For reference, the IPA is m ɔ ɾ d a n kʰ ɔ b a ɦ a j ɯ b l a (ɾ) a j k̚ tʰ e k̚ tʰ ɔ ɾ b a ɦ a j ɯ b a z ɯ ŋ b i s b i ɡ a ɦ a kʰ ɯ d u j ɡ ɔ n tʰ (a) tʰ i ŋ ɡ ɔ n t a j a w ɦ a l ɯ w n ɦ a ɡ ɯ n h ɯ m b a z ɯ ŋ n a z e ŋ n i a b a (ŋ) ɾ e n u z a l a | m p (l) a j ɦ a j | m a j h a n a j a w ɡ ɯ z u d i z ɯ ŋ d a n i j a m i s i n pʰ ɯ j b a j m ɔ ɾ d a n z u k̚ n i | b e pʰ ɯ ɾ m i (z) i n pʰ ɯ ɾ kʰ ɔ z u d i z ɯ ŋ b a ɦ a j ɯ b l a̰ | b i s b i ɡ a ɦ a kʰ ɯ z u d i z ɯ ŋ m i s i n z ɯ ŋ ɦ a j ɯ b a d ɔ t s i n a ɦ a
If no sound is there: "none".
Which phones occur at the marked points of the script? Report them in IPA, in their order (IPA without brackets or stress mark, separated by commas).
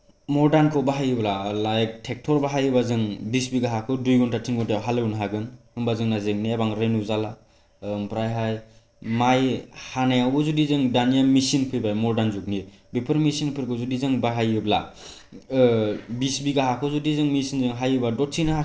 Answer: l, a, ŋ, ɾ, s